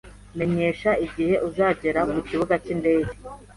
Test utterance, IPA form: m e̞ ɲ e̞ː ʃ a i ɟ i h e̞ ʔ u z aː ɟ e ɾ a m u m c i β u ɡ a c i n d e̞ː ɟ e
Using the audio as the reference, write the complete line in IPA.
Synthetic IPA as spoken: m e̞ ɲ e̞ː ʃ a i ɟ i h e̞ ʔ u z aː ɟ e ɾ a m u c i β u ɡ a c i n d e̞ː ɟ e